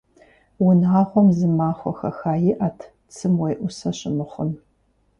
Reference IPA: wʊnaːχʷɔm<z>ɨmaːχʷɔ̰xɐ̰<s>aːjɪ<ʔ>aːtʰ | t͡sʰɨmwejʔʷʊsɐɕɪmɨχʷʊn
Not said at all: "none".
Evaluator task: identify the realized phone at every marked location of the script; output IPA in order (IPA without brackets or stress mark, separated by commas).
z, x, ʔ